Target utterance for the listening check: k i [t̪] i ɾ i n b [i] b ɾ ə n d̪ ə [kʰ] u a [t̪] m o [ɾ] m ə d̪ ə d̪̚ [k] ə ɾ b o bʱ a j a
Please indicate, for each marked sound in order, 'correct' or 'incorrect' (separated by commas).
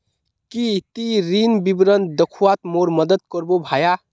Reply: correct, correct, correct, correct, correct, correct